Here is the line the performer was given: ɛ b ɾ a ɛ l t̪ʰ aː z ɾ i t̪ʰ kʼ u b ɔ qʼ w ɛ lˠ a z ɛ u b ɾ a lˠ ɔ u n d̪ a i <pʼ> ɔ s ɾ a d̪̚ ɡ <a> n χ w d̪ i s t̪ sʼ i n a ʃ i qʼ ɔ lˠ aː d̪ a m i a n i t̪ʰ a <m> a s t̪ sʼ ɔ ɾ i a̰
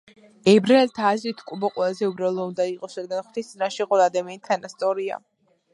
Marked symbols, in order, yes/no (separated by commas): no, yes, no